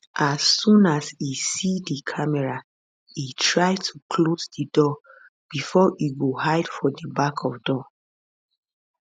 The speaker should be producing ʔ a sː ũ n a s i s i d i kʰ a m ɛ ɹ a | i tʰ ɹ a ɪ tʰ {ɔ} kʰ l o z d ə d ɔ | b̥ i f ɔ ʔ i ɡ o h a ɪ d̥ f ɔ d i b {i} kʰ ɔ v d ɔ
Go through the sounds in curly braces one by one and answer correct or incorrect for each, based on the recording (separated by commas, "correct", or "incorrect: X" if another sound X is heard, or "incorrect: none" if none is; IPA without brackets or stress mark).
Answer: incorrect: u, incorrect: a